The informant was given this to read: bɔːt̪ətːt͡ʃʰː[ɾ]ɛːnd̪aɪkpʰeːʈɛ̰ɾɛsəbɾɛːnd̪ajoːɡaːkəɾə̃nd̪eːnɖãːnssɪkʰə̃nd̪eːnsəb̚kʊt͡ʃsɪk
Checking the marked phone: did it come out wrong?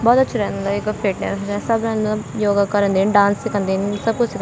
no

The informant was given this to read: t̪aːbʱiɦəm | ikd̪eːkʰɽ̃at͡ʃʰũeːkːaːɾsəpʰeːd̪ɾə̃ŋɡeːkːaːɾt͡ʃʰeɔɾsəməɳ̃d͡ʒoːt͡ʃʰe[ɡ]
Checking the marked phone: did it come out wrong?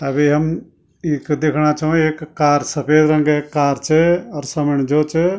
yes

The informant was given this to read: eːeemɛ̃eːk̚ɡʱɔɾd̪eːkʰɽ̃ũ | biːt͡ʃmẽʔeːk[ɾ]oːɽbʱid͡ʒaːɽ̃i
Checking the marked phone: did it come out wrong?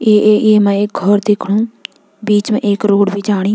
no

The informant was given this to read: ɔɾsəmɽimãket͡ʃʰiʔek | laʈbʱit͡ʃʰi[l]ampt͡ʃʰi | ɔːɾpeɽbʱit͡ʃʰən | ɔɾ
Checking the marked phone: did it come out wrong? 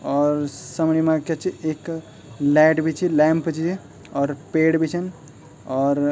no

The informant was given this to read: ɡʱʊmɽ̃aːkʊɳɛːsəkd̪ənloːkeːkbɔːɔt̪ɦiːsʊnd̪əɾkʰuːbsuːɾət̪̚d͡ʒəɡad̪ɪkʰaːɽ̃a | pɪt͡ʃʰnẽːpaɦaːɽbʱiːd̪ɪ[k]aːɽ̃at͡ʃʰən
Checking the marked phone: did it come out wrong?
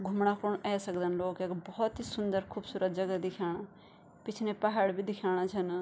yes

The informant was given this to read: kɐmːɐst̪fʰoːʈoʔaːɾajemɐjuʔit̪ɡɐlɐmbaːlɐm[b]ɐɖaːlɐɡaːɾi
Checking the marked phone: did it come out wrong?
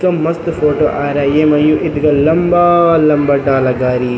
no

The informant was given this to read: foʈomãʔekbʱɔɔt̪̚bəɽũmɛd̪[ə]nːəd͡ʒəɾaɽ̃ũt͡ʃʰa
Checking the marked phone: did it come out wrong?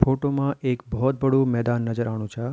yes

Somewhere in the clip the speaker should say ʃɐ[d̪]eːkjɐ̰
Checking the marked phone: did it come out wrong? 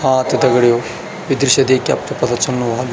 no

